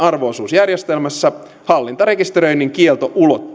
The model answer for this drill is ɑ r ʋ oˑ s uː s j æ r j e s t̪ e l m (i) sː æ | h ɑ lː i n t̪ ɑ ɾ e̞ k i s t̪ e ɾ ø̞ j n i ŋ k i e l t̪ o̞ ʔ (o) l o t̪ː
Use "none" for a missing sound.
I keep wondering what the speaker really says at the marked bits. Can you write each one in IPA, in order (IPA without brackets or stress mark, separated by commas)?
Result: æ, u